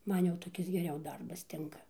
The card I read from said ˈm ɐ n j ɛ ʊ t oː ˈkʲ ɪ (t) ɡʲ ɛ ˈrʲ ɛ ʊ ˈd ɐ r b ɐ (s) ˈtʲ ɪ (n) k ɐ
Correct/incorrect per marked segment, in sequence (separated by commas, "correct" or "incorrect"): incorrect, correct, incorrect